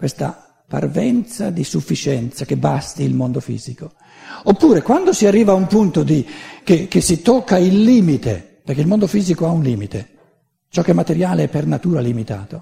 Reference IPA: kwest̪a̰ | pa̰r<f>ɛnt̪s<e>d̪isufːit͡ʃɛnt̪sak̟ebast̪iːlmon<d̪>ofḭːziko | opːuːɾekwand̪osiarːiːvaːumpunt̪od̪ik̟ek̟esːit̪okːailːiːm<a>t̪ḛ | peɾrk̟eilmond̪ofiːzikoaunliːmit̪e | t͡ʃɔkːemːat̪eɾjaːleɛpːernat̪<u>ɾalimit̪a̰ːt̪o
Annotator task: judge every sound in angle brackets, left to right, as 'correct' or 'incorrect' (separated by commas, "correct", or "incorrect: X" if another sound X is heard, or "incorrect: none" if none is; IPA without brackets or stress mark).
incorrect: v, incorrect: a, correct, incorrect: i, incorrect: uː